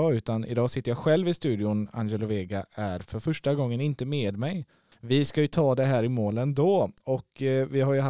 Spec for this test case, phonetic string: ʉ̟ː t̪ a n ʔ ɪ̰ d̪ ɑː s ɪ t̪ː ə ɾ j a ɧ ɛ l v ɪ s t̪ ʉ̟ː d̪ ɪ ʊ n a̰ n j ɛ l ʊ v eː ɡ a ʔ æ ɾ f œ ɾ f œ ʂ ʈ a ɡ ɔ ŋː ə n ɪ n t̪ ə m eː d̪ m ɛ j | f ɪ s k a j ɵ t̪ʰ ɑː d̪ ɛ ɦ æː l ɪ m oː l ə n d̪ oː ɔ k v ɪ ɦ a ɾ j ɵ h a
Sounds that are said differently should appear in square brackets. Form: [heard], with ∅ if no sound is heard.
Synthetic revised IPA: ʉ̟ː t̪ a n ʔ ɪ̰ d̪ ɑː s ɪ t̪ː ə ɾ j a ɧ ɛ l v ɪ s t̪ ʉ̟ː d̪ ɪ ʊ n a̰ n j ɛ l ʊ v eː ɡ a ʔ æ ɾ f œ ɾ f œ ʂ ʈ a ɡ ɔ ŋː ə n ɪ n t̪ ə m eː d̪ m ɛ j | [v] ɪ s k a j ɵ t̪ʰ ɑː d̪ ɛ ɦ æː [ɾ] ɪ m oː l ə n d̪ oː ɔ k v ɪ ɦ a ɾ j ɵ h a